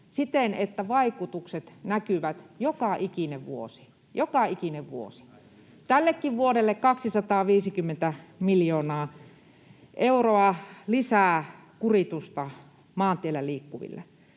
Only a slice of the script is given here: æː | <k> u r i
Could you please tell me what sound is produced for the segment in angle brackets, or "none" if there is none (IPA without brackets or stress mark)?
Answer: k